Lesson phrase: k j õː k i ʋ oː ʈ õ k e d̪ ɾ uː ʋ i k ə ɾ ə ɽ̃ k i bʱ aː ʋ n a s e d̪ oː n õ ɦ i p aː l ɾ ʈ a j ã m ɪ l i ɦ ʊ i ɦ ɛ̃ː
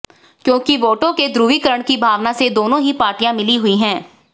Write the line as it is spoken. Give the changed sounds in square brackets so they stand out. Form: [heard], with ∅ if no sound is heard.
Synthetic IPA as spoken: k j õː k i ʋ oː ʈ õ k e d̪ ɾ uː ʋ i k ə ɾ ə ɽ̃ k i bʱ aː ʋ n a s e d̪ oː n õ ɦ i p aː [∅] ɾ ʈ [i] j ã m ɪ l i ɦ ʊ i ɦ ɛ̃ː